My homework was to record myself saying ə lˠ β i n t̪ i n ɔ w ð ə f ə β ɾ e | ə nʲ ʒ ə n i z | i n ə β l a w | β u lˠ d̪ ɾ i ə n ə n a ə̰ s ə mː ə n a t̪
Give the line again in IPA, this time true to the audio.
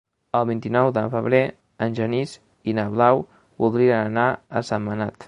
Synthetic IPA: ə lˠ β i n t̪ i n ɔ w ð ə f ə β ɾ e | ə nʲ ʒ ə n i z | i n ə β l a w | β u lˠ d̪ ɾ i ə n ə n a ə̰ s ə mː ə n a t̪